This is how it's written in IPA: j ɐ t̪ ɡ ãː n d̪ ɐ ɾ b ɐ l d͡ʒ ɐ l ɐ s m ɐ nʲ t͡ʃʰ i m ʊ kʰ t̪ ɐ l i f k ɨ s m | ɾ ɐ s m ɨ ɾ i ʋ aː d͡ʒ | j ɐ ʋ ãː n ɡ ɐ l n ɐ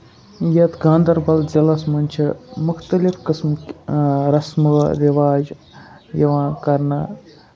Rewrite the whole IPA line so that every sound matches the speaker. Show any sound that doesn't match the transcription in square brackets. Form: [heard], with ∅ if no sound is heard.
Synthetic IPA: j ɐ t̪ ɡ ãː n d̪ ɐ ɾ b ɐ l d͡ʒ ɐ l ɐ s m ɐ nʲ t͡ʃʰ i m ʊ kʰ t̪ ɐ l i f k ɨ s m | ɾ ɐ s m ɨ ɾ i ʋ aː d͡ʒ | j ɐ ʋ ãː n [k] ɐ [ɾ] n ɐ